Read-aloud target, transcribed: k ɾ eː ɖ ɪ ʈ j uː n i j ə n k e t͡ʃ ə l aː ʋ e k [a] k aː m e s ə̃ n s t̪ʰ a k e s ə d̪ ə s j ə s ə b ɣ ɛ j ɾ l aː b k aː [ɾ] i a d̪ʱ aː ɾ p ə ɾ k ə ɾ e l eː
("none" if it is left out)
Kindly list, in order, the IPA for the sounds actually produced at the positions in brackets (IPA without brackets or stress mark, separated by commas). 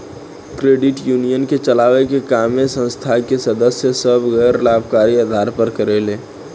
e, ɾ